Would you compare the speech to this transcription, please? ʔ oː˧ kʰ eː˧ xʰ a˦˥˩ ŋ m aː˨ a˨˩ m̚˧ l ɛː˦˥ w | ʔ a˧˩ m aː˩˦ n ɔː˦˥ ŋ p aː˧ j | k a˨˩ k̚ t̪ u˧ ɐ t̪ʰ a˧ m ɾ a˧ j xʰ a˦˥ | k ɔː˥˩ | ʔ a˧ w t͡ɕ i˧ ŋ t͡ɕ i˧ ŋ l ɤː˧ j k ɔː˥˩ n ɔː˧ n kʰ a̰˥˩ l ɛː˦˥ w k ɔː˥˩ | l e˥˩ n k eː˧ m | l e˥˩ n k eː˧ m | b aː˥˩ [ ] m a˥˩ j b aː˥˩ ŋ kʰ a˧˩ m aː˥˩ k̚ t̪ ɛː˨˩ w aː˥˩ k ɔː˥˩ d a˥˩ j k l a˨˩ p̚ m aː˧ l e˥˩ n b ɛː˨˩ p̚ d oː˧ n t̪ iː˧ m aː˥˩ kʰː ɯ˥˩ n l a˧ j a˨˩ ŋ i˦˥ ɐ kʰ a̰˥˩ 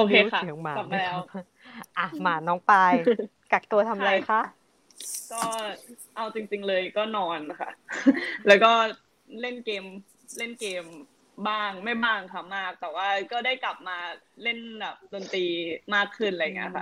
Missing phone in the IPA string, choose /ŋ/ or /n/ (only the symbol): ŋ